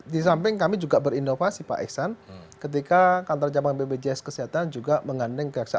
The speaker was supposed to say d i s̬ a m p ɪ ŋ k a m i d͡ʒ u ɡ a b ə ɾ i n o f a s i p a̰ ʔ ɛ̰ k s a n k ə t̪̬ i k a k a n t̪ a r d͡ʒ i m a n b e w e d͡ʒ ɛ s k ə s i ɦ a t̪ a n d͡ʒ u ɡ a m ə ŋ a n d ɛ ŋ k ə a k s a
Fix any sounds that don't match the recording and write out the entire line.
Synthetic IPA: d i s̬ a m p ɪ ŋ k a m i d͡ʒ u ɡ a b ə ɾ i n o f a s i p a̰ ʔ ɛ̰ k s a n k ə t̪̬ i k a k a n t̪ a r d͡ʒ a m a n b e b e d͡ʒ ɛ s k ə s i ɦ a t̪ a n d͡ʒ u ɡ a m ə ŋ a n d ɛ ŋ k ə a k s a